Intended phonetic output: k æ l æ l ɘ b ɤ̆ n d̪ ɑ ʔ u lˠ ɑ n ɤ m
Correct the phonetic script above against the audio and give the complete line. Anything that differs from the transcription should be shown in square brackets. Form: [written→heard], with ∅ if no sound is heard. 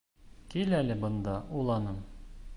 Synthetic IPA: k [æ→i] l æ l ɘ b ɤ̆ n d̪ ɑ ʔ u lˠ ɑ n ɤ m